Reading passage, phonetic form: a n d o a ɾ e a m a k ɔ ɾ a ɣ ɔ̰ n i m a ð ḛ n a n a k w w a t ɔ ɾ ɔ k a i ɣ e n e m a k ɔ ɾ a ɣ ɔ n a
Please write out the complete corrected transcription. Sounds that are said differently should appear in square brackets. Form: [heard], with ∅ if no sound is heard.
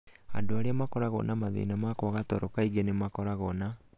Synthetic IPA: a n d o a ɾ e a m a k ɔ ɾ a ɣ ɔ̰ n [a] m a ð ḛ n a [m] a k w [ɣ] a t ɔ ɾ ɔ k a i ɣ e n e m a k ɔ ɾ a ɣ ɔ n a